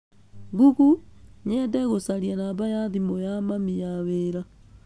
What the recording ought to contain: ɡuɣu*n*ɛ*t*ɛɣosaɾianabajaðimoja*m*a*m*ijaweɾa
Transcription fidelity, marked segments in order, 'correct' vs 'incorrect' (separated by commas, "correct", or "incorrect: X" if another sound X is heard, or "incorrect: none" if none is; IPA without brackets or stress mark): incorrect: ɲ, incorrect: d, correct, correct